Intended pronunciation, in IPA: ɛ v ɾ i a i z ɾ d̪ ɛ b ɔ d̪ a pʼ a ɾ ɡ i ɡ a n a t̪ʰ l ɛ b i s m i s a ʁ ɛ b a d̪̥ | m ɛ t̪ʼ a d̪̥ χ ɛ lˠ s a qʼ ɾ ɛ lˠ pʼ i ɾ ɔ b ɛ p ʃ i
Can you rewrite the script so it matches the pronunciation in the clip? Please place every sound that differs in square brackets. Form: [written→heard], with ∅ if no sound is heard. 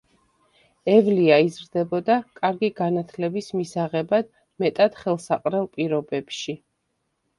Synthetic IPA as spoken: ɛ v [ɾ→l] i a i z ɾ d̪ ɛ b ɔ d̪ a [pʼ→kʼ] a ɾ ɡ i ɡ a n a t̪ʰ l ɛ b i s m i s a ʁ ɛ b a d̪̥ | m ɛ t̪ʼ a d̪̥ χ ɛ lˠ s a qʼ ɾ ɛ lˠ pʼ i ɾ ɔ b ɛ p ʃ i

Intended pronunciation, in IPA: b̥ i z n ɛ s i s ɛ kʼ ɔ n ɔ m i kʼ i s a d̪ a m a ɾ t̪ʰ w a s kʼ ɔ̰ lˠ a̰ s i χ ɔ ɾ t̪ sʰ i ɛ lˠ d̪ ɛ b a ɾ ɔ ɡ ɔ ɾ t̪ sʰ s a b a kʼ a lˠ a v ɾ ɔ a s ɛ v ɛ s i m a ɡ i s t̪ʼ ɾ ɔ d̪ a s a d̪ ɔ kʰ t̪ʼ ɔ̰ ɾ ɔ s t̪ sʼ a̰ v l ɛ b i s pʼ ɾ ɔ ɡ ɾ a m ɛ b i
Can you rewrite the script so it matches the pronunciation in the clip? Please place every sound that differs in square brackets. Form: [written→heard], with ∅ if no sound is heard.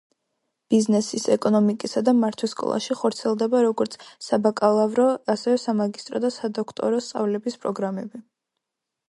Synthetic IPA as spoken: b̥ i z n ɛ s i s ɛ kʼ ɔ n ɔ m i kʼ i s a d̪ a m a ɾ t̪ʰ w [a→i] s kʼ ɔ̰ lˠ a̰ [s→ʃ] i χ ɔ ɾ t̪ sʰ i ɛ lˠ d̪ ɛ b a ɾ ɔ ɡ ɔ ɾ t̪ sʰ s a b a kʼ a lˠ a v ɾ ɔ a s ɛ v ɛ s [i→a] m a ɡ i s t̪ʼ ɾ ɔ d̪ a s a d̪ ɔ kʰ t̪ʼ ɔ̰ ɾ ɔ s t̪ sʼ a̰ v l ɛ b i s pʼ ɾ ɔ ɡ ɾ a m ɛ b i

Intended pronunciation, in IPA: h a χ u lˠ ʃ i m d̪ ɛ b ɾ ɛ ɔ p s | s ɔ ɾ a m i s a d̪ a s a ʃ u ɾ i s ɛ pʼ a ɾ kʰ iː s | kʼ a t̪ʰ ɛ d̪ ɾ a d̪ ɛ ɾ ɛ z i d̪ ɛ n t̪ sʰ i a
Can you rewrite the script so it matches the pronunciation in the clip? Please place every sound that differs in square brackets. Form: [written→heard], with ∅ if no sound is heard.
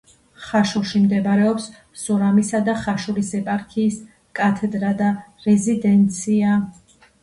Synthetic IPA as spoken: [h→χ] a [χ→ʃ] u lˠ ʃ i m d̪ ɛ b ɾ ɛ ɔ p s | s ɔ ɾ a m i s a d̪ a [s→χ] a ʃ u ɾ i s ɛ pʼ a ɾ kʰ iː s | kʼ a t̪ʰ ɛ d̪ ɾ a d̪ [ɛ→a] ɾ ɛ z i d̪ ɛ n t̪ sʰ i a

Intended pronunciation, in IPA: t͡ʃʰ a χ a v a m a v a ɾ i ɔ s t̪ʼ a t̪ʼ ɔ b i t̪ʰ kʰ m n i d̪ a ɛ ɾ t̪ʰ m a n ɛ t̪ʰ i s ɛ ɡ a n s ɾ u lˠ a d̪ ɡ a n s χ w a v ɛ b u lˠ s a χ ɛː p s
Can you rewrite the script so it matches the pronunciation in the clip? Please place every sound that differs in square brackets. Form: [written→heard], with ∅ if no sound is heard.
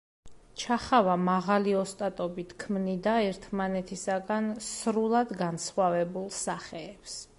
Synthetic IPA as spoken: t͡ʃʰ a χ a v a m a [v→ʁ] a [ɾ→l] i ɔ s t̪ʼ a t̪ʼ ɔ b i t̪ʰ kʰ m n i d̪ a ɛ ɾ t̪ʰ m a n ɛ t̪ʰ i s [ɛ→a] ɡ a n s ɾ u lˠ a d̪ ɡ a n s χ w a v ɛ b u lˠ s a χ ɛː p s

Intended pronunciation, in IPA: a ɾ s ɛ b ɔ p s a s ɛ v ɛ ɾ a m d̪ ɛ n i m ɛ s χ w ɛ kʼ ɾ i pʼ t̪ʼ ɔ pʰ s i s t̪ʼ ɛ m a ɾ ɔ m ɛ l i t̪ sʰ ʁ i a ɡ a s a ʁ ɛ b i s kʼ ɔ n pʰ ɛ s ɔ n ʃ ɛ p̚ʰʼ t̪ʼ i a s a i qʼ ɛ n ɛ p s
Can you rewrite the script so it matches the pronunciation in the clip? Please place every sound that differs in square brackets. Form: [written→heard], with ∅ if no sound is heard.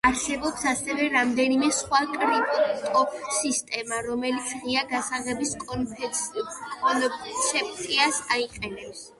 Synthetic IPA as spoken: a ɾ s ɛ b ɔ p s a s ɛ v ɛ ɾ a m d̪ ɛ n i m ɛ s χ w [ɛ→a] kʼ ɾ i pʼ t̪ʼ ɔ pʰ s i s t̪ʼ ɛ m a ɾ ɔ m ɛ l i t̪ sʰ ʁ i a ɡ a s a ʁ ɛ b i s kʼ ɔ n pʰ ɛ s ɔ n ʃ ɛ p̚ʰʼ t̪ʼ i a s a i qʼ ɛ n ɛ p s

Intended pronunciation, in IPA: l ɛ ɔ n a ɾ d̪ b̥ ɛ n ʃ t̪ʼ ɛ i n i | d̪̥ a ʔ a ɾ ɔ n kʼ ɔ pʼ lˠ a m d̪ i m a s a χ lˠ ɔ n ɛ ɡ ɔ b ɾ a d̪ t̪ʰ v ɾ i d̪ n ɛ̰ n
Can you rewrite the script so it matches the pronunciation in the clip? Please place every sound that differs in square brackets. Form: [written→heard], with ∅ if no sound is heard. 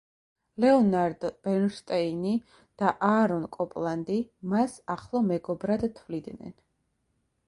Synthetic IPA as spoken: l ɛ ɔ n a ɾ d̪ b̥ ɛ n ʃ t̪ʼ ɛ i n i | d̪̥ a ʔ a ɾ ɔ n kʼ ɔ pʼ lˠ a [m→n] d̪ i m a s a χ lˠ ɔ [n→m] ɛ ɡ ɔ b ɾ a d̪ t̪ʰ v [ɾ→l] i d̪ n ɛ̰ n

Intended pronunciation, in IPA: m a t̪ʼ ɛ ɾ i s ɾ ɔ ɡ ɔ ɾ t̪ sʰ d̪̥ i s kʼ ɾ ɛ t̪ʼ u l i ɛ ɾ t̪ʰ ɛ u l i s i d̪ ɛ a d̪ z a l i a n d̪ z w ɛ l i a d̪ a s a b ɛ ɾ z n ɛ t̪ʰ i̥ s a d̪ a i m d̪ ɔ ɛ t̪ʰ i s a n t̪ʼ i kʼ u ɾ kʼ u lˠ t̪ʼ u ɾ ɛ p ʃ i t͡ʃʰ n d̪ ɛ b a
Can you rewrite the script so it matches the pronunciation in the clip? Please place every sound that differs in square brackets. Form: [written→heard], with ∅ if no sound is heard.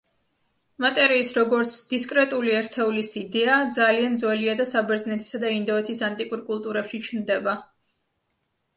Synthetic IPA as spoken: m a t̪ʼ ɛ ɾ [i→iː] s ɾ ɔ ɡ ɔ ɾ t̪ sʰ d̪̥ i s kʼ ɾ ɛ t̪ʼ u l i ɛ ɾ t̪ʰ ɛ u l i s i d̪ ɛ a d̪ z a l i a n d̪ z w ɛ l i a d̪ a s a b ɛ ɾ z n ɛ t̪ʰ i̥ s a d̪ a i [m→n] d̪ ɔ ɛ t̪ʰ i s a n t̪ʼ i kʼ u ɾ kʼ u lˠ t̪ʼ u ɾ ɛ p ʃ i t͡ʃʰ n d̪ ɛ b a

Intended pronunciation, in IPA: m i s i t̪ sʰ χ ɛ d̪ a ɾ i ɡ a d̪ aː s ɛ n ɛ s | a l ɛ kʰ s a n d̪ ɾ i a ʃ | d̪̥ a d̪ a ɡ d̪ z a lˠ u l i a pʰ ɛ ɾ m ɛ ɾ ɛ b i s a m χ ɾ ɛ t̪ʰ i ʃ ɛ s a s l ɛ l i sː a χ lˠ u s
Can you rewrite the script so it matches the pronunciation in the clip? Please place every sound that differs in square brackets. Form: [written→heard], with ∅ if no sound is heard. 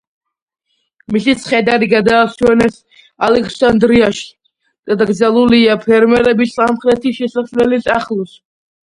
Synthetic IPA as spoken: m i s i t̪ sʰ χ ɛ d̪ a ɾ i ɡ a d̪ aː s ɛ n ɛ s | a l ɛ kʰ s a n d̪ ɾ i a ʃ | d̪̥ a d̪ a ɡ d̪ z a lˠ u l i a pʰ ɛ ɾ m ɛ ɾ ɛ b i s a m χ ɾ ɛ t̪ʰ i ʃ ɛ s a s l ɛ l i [sː→s] a χ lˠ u s

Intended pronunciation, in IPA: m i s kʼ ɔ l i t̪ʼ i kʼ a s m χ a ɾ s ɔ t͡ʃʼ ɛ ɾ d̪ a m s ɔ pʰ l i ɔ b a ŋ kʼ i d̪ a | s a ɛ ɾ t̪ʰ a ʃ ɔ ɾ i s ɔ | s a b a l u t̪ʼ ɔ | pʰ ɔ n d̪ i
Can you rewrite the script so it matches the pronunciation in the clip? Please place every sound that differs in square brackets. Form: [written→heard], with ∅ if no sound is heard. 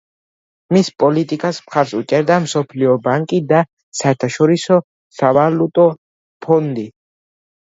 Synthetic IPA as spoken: m i s [kʼ→pʼ] ɔ l i t̪ʼ i kʼ a s m χ a ɾ s [ɔ→u] t͡ʃʼ ɛ ɾ d̪ a m s ɔ pʰ l i ɔ b a ŋ kʼ i d̪ a | s a ɛ ɾ t̪ʰ a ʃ ɔ ɾ i s ɔ | s a [b→v] a l u t̪ʼ ɔ | pʰ ɔ n d̪ i

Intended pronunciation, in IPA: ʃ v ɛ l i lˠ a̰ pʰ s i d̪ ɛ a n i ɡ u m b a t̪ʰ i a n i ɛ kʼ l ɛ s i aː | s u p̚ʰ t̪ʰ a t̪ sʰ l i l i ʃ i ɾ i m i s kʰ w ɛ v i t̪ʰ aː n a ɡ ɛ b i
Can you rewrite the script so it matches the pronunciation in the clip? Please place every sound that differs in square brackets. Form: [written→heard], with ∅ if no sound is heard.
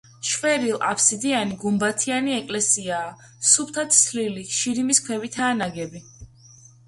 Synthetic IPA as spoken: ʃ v ɛ [l→ɾ] i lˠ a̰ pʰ s i d̪ [ɛ→i] a n i ɡ u m b a t̪ʰ i a n i ɛ kʼ l ɛ s i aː | s u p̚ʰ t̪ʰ a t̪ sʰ l i l i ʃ i ɾ i m i s kʰ w ɛ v i t̪ʰ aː n a ɡ ɛ b i

